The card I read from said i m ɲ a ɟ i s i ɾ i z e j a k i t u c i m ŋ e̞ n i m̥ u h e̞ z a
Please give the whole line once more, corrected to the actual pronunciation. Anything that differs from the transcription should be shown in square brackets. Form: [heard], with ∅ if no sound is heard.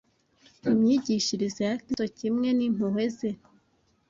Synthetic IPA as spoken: i m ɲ [i] ɟ i [ʃ] i ɾ i z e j a k i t [o] c i m ŋ e̞ n i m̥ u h e̞ z [e]